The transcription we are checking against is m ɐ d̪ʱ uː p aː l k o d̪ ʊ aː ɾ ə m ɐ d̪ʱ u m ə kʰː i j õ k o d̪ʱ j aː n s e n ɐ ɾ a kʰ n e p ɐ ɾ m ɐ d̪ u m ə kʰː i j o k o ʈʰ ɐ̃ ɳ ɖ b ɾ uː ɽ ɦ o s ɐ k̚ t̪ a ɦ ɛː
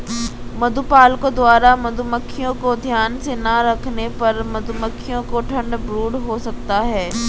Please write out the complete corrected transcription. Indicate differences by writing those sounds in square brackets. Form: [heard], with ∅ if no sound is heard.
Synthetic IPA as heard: m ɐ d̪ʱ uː p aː l k o d̪ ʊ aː ɾ [a] m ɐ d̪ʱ u m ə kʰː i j õ k o d̪ʱ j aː n s e n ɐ ɾ [ɐ] kʰ n e p ɐ ɾ m ɐ d̪ u m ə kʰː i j [õ] k o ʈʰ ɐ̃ ɳ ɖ b ɾ uː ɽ ɦ o s ɐ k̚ t̪ a ɦ ɛː